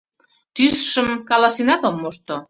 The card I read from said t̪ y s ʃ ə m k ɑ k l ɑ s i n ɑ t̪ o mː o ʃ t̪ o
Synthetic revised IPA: t̪ y s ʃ ə m k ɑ l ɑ s i n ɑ t̪ o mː o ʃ t̪ o